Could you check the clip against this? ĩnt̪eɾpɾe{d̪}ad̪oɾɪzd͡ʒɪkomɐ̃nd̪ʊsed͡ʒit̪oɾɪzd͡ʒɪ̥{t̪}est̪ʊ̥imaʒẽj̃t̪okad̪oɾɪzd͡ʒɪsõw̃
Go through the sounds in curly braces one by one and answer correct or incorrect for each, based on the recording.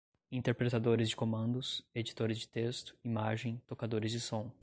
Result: incorrect: t̪, correct

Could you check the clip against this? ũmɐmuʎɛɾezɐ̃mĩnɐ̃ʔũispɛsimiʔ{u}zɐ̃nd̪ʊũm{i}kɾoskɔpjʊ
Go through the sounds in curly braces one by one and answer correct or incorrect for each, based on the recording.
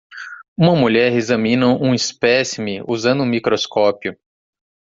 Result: correct, correct

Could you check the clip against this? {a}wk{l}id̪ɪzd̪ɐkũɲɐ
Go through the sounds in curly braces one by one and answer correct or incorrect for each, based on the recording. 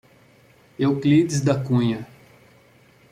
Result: incorrect: e, correct

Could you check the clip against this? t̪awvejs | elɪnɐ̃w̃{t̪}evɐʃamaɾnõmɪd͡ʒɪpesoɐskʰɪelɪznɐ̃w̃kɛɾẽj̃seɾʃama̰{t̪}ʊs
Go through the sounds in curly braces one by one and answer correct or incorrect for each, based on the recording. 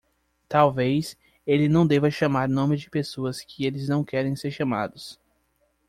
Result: incorrect: d̪, incorrect: d̪

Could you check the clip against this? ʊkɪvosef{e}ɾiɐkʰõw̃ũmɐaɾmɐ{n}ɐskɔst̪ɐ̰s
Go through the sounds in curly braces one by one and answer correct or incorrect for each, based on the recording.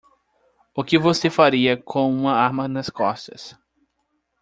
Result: incorrect: a, correct

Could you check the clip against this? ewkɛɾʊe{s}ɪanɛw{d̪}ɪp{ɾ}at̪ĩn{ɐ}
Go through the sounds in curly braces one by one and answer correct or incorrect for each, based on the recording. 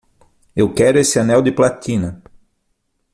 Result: correct, correct, incorrect: l, correct

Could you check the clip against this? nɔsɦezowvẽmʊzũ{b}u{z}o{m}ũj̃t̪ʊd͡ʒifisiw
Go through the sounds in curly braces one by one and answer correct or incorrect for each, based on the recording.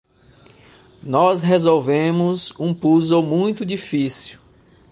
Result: incorrect: p, correct, correct

